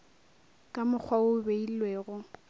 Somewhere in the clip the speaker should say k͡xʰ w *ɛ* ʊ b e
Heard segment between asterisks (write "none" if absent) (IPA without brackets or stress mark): a